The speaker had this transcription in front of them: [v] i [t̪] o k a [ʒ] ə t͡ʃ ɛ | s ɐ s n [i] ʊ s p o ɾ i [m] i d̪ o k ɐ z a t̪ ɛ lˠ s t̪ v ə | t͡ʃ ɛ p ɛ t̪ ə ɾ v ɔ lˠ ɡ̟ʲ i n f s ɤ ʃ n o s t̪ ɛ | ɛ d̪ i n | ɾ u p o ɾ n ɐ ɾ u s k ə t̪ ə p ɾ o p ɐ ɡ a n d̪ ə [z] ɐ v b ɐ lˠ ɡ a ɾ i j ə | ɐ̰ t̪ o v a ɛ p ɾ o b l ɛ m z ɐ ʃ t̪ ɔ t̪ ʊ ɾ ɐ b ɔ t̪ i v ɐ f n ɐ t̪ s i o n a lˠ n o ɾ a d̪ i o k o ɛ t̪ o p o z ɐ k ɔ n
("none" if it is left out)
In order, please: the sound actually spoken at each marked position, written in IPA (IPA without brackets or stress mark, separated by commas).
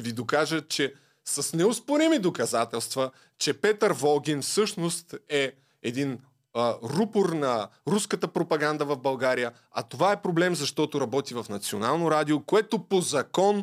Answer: v, d̪, ʒ, ɛ, m, v